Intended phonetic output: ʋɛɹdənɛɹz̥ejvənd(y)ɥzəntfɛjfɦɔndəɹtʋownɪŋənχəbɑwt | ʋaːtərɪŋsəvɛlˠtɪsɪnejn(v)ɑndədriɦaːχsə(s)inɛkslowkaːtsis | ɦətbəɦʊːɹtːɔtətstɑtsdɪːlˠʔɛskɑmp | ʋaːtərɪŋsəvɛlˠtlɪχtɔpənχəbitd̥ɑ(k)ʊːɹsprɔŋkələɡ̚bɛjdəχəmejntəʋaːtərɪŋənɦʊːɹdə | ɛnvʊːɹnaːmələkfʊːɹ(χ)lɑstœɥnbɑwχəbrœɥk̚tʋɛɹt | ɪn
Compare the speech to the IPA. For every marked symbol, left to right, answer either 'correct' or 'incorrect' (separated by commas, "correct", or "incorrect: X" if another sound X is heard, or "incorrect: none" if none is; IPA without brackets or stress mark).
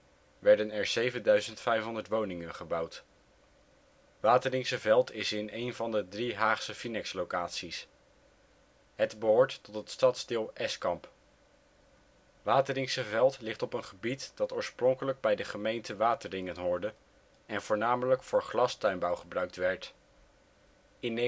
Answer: incorrect: œ, correct, incorrect: f, incorrect: t, correct